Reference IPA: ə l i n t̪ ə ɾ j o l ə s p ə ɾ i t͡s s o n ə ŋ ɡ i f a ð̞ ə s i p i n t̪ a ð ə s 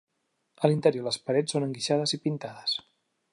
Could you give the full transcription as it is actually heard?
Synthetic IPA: ə l i n t̪ ə ɾ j o l ə s p ə ɾ ɛ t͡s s o n ə ŋ ɡ i ʃ a ð̞ ə z i p i n t̪ a ð ə s